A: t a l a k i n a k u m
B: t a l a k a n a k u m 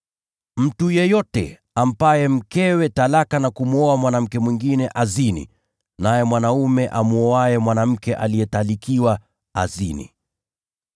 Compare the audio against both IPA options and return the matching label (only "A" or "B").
B